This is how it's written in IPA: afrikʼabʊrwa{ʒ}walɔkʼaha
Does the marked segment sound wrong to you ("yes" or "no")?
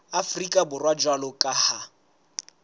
yes